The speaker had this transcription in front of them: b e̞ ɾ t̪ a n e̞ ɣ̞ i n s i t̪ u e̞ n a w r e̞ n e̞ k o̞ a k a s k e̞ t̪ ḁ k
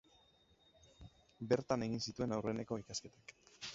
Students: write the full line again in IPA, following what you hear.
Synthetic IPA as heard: b e̞ ɾ t̪ a n e̞ ɣ̞ i n s i t̪ u e̞ n a w r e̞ n e̞ k o̞ i k a s k e̞ t̪ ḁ k